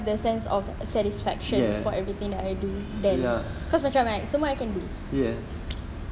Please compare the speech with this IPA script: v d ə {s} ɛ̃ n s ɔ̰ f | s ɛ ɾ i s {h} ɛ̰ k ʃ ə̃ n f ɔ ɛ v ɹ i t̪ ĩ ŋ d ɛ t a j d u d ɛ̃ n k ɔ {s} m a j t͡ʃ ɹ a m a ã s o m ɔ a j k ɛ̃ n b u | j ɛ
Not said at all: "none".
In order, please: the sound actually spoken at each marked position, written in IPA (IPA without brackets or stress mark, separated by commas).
s, f, s